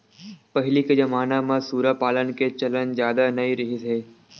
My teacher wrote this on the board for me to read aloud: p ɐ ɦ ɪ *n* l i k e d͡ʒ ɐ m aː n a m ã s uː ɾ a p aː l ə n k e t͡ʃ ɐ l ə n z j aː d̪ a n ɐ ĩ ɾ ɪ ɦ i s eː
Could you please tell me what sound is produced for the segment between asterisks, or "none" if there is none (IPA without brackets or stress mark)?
none